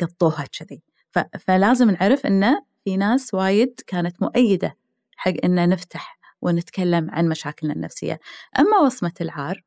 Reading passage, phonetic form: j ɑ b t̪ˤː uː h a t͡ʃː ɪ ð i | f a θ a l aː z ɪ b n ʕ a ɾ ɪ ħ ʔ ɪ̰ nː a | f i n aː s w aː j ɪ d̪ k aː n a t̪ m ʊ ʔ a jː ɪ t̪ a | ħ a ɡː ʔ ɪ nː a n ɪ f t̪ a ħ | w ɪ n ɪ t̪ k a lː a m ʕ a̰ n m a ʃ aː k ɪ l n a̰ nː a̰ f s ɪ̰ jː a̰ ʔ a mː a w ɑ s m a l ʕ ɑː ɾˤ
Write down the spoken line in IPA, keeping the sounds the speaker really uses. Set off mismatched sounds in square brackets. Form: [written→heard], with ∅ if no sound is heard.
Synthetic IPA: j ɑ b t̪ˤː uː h a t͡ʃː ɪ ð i | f a [θ→f] a l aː z ɪ [b→m] n ʕ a ɾ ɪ [ħ→f] ʔ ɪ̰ nː a | f i n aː s w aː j ɪ d̪ k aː n a t̪ m ʊ ʔ a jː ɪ [t̪→d̪] a | ħ a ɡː ʔ ɪ nː a n ɪ f t̪ a ħ | w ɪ n ɪ t̪ k a lː a m ʕ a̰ n m a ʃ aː k ɪ l n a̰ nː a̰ f s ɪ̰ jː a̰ ʔ a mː a w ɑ s m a l ʕ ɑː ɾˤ